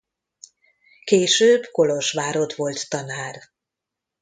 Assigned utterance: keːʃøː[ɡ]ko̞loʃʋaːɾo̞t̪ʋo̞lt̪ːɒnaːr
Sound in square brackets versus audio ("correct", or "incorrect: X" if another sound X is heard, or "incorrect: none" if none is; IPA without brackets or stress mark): incorrect: b